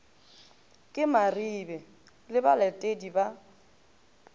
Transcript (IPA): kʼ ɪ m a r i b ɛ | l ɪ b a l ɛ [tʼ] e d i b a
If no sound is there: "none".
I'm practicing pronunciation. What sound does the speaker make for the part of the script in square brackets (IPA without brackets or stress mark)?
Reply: tʼ